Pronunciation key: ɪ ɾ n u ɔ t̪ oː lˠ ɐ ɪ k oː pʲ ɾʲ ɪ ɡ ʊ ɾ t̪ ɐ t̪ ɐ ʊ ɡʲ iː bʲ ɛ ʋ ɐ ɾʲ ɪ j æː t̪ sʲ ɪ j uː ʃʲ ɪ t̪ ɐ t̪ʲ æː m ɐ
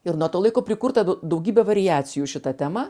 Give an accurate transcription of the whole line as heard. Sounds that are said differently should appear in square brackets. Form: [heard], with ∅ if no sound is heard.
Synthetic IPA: ɪ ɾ n u ɔ t̪ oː lˠ ɐ ɪ k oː pʲ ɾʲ ɪ [k] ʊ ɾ t̪ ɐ [d̪] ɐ ʊ ɡʲ iː bʲ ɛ ʋ ɐ ɾʲ ɪ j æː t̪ sʲ ɪ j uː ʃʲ ɪ t̪ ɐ t̪ʲ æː m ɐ